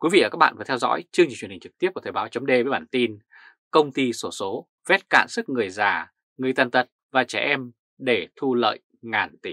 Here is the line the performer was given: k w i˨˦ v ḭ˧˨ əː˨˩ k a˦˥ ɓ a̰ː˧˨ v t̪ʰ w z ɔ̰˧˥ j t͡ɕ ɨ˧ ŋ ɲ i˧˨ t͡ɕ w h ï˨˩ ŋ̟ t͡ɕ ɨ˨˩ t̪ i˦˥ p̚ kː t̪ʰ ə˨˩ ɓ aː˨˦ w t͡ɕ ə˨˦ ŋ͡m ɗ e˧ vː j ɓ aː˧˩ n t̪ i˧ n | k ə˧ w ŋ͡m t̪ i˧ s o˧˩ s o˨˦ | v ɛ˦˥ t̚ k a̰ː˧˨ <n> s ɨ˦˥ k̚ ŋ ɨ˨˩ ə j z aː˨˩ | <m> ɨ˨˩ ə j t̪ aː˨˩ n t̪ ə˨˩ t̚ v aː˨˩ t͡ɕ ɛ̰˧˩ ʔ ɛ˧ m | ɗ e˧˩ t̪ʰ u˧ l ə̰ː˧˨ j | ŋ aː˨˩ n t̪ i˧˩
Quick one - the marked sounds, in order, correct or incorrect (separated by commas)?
correct, incorrect